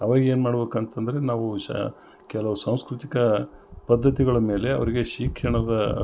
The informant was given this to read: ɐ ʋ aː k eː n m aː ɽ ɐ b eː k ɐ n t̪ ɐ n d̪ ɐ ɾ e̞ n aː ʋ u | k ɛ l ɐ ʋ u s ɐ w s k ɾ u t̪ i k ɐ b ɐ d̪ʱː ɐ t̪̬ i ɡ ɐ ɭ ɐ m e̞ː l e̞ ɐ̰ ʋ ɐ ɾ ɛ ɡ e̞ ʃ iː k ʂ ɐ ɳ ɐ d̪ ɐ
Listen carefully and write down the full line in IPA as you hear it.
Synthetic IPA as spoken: ɐ ʋ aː ɡ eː n m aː ɽ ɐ b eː k ɐ n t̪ ɐ n d̪ ɐ ɾ e̞ n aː ʋ u | k ɛ l ɐ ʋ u s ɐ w s k ɾ u t̪ i k ɐ p ɐ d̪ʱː ɐ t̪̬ i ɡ ɐ ɭ ɐ m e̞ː l e̞ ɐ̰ ʋ ɐ ɾ i ɡ e̞ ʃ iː k ʂ ɐ ɳ ɐ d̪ ɐ